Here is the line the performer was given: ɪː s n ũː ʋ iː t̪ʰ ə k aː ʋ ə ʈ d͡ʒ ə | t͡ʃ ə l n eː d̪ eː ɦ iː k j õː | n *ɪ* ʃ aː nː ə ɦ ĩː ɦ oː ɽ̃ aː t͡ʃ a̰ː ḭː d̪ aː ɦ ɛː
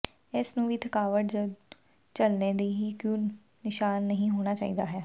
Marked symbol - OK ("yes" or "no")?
yes